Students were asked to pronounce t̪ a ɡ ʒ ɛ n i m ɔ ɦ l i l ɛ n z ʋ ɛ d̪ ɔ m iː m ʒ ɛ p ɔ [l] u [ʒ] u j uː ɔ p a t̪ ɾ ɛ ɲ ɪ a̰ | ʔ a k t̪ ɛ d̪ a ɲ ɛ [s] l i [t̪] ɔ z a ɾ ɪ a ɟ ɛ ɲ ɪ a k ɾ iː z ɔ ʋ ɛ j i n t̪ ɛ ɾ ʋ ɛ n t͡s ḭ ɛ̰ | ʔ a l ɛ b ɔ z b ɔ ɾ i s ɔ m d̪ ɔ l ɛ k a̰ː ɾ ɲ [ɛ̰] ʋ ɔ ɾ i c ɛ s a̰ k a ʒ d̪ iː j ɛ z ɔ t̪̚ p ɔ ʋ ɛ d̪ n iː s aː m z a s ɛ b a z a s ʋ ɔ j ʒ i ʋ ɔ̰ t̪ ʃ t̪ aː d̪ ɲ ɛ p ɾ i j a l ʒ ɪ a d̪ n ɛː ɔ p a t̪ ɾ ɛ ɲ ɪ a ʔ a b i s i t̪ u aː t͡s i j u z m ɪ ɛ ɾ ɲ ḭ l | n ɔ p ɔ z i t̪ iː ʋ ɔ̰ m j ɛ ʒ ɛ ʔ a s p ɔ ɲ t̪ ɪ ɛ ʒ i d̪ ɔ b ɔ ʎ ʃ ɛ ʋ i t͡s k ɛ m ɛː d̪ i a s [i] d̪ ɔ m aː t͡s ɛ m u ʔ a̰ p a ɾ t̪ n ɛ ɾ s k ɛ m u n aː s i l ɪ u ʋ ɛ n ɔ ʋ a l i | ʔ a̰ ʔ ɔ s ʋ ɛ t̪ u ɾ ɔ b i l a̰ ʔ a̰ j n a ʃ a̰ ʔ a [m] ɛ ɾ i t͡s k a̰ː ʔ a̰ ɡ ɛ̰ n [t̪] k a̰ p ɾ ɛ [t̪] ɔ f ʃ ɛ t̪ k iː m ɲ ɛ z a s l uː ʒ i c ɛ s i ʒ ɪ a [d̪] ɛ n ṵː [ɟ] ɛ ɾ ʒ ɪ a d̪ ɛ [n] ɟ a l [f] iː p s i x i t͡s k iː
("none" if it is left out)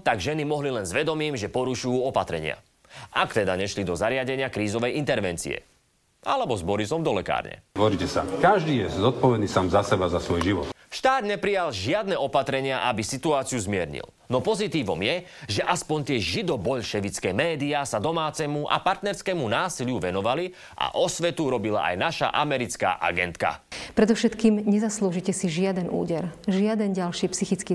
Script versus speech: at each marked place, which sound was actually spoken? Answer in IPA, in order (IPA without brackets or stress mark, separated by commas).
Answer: ɾ, ʃ, ʃ, d̪, ɛ̰, a, m, t̪, d̪, d̪, ɟ, n, ʃ